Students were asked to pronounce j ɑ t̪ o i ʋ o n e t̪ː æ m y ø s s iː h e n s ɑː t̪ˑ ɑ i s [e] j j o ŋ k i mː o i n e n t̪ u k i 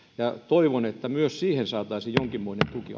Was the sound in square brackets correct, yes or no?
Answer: no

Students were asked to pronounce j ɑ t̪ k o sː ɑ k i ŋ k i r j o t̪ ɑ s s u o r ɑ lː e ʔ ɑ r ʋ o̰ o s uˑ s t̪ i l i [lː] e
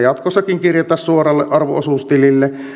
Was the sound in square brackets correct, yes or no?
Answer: yes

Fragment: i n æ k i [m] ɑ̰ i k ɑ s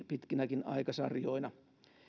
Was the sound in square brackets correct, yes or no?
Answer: no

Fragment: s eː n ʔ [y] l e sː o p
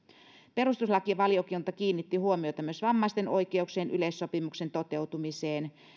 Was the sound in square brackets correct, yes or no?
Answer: yes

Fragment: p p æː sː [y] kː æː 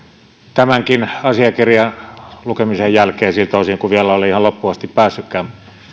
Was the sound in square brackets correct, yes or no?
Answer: yes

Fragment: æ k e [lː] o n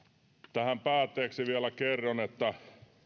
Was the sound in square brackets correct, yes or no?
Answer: no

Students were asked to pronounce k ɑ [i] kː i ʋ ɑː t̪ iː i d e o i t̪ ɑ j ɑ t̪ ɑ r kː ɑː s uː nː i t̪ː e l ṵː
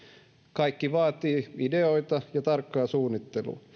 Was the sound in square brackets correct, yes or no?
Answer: yes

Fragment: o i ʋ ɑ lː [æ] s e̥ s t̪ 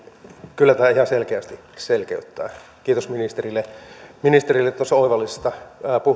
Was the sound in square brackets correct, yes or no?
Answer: no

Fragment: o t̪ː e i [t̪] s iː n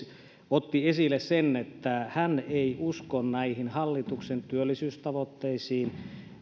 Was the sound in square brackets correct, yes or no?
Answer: no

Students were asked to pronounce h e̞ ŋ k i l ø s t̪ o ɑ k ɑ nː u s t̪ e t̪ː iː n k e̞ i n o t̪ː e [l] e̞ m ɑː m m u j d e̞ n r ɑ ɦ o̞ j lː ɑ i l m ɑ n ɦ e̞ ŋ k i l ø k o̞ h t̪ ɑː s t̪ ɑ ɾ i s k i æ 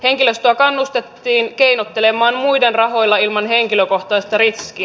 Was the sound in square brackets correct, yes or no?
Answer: yes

